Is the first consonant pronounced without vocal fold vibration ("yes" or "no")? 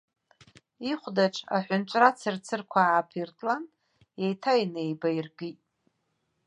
yes